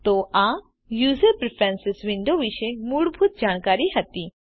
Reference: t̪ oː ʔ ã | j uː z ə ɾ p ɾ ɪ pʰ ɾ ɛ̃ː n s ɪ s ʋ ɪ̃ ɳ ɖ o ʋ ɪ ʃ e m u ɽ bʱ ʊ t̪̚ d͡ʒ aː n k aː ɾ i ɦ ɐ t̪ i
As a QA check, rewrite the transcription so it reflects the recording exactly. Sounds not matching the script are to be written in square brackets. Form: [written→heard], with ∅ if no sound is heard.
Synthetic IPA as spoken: t̪ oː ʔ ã | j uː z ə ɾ p ɾ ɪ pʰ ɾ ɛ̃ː n s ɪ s ʋ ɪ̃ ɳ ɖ o ʋ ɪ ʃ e m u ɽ bʱ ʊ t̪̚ d͡ʒ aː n k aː ɾ i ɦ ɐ t̪ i

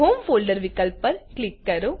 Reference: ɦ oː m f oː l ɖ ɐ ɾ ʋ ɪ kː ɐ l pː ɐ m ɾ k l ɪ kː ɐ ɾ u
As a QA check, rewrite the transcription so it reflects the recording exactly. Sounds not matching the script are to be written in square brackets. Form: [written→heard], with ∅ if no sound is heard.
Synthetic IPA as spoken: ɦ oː m f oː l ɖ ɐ ɾ ʋ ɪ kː ɐ l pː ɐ [m→∅] ɾ k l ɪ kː ɐ ɾ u

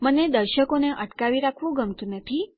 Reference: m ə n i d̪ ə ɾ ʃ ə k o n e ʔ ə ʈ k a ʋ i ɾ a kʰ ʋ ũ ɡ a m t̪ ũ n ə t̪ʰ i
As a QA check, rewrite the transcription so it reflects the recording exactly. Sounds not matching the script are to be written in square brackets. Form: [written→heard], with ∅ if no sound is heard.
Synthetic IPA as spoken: m ə n [i→e] d̪ ə ɾ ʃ ə k o n e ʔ ə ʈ k a ʋ i ɾ a kʰ ʋ ũ ɡ [a→ə] m t̪ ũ n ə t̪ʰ i

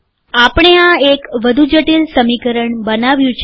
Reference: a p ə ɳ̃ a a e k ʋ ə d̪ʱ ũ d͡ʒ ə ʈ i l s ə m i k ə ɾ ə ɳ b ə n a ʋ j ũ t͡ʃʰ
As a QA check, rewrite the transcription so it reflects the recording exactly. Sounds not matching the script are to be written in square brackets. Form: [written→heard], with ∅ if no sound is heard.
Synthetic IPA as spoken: a p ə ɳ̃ [a→e] a e k ʋ ə d̪ʱ [ũ→u] d͡ʒ ə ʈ i l s ə m i k ə ɾ ə ɳ b ə n a ʋ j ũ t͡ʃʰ

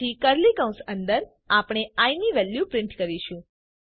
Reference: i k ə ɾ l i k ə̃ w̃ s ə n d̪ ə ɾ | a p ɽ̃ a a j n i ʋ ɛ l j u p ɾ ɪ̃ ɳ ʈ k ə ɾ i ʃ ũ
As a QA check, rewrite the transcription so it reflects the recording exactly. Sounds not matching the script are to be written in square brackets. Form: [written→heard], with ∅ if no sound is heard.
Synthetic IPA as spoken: i k ə ɾ l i k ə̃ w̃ s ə n d̪ ə ɾ | a p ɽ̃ [a→e] a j n i ʋ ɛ l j u p ɾ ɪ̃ ɳ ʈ k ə ɾ i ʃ ũ

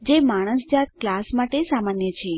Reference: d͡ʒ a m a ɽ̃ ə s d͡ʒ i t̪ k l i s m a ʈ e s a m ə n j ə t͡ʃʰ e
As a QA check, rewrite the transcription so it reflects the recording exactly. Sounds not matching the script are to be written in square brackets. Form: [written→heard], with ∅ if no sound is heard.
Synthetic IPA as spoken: d͡ʒ [a→e] m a ɽ̃ ə s d͡ʒ [i→a] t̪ k l [i→a] s m a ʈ e s a m [ə→a] n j ə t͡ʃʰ e

